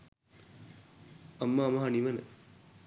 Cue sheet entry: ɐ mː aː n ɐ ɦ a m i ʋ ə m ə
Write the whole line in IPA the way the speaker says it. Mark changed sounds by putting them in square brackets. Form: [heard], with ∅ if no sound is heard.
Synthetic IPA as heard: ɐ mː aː [m] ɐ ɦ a [n] i ʋ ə [n] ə